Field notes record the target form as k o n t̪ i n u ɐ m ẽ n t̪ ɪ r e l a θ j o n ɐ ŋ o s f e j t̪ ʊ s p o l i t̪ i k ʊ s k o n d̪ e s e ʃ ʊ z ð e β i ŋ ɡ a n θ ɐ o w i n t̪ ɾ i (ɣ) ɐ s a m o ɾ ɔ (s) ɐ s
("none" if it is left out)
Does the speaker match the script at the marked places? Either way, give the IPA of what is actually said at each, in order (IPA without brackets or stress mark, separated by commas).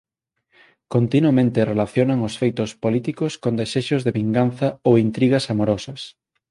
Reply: ɣ, s